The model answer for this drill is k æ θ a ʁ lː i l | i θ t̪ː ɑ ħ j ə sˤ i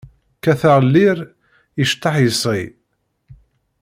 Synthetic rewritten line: k æ θ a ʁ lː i ɾ | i ʃ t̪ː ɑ ħ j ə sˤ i

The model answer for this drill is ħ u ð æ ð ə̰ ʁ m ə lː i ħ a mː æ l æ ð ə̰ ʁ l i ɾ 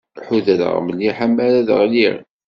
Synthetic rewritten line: ħ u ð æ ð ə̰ ʁ m ə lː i ħ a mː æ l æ ð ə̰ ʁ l i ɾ

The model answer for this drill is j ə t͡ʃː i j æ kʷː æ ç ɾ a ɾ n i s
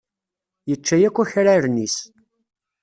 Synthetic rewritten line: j ə t͡ʃː æ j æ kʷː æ ç ɾ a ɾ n i s

